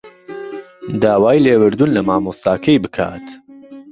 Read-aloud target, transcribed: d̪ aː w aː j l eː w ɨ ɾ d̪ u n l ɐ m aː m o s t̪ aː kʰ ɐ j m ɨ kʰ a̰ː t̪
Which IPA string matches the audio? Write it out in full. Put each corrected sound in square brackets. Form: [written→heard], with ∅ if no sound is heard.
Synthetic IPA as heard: d̪ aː w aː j l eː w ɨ ɾ d̪ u n l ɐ m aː m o s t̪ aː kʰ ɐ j [m→b] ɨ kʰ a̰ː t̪

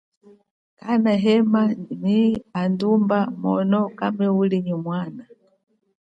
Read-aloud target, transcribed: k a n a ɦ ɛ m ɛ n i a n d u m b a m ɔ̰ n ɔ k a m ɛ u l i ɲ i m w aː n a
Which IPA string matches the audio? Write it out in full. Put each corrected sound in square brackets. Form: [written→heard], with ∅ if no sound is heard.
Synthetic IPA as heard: k a n a ɦ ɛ m [ɛ→a] n i a n d u m b a m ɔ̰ n ɔ k a m ɛ u l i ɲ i m w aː n a

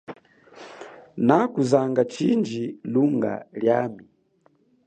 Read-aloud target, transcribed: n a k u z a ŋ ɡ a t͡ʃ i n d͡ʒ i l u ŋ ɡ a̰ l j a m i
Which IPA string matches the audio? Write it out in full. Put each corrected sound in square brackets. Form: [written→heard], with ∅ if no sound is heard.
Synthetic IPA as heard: n a k u z a ŋ ɡ a t͡ʃ i n d͡ʒ i l u ŋ ɡ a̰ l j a m i

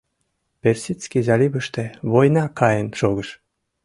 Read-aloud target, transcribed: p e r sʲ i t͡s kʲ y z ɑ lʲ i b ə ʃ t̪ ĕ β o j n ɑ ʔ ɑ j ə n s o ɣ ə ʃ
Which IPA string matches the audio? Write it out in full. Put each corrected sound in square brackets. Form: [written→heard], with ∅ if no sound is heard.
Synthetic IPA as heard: p e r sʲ i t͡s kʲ [y→i] z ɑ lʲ i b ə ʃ t̪ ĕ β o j n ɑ [ʔ→k] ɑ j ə n [s→ʃ] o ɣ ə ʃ

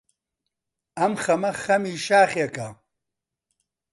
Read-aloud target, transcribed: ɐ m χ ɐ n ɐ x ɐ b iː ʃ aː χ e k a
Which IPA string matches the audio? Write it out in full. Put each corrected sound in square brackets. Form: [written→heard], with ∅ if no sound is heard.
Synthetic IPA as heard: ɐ m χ ɐ [n→m] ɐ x ɐ [b→m] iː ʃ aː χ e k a

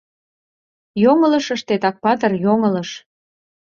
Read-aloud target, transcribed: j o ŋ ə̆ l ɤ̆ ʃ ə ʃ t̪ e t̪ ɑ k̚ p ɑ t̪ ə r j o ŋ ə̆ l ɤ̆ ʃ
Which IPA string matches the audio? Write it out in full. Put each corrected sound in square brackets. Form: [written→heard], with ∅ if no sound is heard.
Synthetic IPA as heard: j o ŋ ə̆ l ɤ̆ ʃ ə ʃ t̪ e t̪ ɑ k̚ p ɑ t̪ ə r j o ŋ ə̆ l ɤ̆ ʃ

